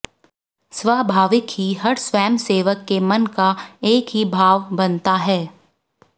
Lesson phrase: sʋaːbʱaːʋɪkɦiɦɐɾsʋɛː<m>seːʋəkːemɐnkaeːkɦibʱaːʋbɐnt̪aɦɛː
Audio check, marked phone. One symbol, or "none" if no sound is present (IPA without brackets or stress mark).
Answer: m